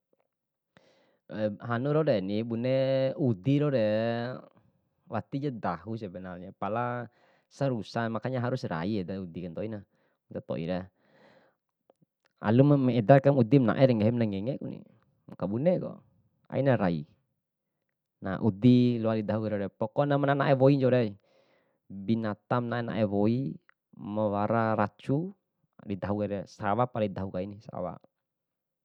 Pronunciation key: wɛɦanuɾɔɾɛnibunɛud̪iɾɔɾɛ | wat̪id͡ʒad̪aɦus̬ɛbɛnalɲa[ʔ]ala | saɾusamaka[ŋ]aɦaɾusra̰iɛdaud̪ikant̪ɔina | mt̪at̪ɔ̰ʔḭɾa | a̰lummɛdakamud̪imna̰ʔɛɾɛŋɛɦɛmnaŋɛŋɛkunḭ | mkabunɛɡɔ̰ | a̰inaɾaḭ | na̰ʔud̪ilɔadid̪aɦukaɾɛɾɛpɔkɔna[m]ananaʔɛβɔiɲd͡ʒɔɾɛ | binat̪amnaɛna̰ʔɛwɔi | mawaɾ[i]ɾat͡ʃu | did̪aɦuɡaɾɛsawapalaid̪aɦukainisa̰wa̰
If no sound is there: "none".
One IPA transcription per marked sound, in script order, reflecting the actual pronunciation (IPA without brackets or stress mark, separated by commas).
p, ɲ, m, a